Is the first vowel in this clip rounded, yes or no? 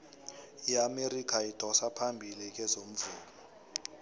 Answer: no